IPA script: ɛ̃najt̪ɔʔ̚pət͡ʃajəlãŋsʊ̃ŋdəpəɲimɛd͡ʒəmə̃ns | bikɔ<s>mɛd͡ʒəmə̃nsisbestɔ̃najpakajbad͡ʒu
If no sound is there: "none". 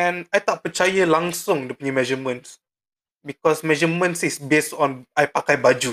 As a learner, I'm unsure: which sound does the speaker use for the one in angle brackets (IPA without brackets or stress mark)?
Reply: s